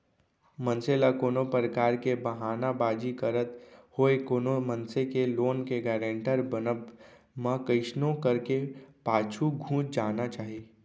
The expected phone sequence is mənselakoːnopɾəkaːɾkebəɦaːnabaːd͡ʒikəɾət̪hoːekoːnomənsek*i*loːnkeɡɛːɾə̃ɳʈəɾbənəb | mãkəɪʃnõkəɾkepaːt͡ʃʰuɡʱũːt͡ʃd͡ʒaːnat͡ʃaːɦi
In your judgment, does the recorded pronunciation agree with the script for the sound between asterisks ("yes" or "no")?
no